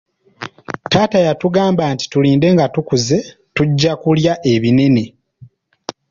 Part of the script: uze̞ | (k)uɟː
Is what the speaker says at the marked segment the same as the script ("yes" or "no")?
no